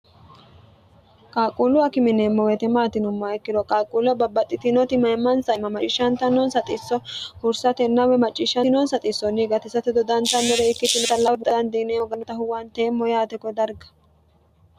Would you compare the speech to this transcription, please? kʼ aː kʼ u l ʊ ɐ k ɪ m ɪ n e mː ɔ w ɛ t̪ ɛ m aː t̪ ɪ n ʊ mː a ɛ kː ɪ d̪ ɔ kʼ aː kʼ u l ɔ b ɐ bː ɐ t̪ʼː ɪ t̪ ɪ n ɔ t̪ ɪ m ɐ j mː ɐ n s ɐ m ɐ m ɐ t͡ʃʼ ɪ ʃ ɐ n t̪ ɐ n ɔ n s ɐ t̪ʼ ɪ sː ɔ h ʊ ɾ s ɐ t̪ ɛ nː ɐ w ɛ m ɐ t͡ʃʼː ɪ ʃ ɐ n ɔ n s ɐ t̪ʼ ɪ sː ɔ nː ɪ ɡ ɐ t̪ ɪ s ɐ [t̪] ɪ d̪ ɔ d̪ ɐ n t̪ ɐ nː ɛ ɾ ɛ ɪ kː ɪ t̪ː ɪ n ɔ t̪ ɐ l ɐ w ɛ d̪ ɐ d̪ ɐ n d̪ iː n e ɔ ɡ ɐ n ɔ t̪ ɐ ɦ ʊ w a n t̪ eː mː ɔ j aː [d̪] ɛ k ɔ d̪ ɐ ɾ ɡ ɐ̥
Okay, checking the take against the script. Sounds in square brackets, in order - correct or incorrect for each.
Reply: correct, incorrect: t̪

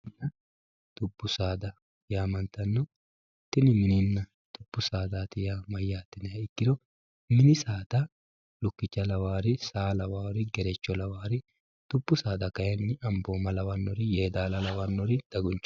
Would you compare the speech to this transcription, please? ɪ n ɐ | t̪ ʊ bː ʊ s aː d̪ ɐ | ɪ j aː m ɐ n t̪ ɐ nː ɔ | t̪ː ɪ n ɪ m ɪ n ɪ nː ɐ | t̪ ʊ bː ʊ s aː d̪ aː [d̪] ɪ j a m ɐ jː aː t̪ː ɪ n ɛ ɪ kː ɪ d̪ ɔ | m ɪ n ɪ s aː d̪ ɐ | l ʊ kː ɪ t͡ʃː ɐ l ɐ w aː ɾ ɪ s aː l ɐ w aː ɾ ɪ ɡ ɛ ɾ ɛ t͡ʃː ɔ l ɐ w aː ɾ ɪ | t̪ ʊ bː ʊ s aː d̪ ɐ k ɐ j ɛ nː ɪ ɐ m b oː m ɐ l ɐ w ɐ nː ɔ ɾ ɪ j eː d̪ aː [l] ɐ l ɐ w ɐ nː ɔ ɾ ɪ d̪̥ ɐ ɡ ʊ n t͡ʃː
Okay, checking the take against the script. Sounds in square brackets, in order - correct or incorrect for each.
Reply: incorrect: t̪, correct

